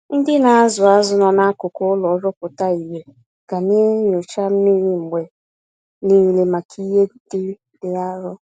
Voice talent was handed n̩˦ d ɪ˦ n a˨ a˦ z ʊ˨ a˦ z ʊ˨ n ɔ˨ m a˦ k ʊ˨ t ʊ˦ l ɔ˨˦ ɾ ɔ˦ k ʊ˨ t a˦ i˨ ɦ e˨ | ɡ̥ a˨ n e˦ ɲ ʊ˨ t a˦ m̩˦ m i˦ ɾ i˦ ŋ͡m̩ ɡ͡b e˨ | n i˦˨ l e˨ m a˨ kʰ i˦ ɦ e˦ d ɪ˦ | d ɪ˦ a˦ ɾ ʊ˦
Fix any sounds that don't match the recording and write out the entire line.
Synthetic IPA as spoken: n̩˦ d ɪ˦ n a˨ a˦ z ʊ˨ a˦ z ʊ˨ n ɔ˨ n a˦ k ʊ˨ k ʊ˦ l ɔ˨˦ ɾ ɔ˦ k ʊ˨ t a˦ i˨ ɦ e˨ | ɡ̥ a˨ n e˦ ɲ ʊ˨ t͡ʃ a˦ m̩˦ m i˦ ɾ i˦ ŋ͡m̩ ɡ͡b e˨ | n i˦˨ l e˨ m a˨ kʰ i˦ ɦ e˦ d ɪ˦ | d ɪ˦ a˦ ɾ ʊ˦